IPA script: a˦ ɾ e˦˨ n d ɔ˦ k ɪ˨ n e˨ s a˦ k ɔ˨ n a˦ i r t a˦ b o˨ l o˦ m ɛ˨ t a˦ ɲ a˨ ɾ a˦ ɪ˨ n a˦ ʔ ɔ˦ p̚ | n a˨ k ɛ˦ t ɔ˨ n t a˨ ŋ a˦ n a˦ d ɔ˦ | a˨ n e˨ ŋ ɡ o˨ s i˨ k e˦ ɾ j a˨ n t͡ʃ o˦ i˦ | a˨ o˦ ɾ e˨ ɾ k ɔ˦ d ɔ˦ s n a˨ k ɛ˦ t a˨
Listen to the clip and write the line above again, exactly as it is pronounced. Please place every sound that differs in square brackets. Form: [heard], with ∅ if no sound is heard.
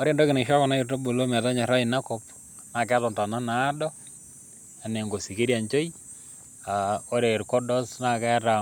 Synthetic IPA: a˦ ɾ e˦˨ n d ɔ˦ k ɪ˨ n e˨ [ʃ] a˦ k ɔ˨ n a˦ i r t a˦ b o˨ l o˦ m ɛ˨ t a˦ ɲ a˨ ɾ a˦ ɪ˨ n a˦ [k] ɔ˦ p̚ | n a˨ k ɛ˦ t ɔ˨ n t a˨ [n] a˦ n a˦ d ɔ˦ | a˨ n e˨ ŋ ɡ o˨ s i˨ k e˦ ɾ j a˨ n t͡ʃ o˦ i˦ | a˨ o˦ ɾ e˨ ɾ k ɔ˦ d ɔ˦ s n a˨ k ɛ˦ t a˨